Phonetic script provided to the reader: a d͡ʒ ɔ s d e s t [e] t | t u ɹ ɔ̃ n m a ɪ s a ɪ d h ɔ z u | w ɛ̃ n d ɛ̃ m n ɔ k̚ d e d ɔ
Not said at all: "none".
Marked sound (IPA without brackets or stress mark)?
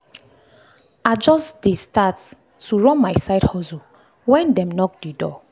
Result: a